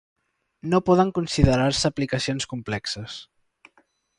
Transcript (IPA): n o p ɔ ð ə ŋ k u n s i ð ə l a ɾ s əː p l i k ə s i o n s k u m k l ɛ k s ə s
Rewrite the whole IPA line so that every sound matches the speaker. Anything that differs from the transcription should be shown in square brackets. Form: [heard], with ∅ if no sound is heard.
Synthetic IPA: n o p ɔ ð ə ŋ k u n s i ð ə [ɾ] a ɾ s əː p l i k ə s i o n s k u m [p] l ɛ k s ə s